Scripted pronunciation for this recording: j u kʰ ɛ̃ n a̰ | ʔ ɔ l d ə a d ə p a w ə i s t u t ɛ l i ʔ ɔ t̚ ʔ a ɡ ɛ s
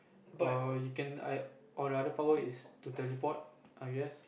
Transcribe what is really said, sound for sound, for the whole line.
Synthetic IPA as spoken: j u k ɛ̃ n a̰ | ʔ ɔ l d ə a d ə p a w ə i s t u t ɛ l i p ɔ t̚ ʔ a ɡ ɛ s